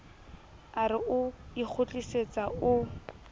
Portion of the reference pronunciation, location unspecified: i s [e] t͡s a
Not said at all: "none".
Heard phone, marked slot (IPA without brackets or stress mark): e